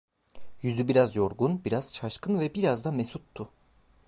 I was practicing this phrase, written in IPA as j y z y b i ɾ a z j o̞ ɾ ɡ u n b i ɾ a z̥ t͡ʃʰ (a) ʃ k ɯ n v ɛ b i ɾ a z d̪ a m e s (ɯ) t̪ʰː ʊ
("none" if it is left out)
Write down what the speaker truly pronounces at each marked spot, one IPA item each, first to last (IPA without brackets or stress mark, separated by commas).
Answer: a, u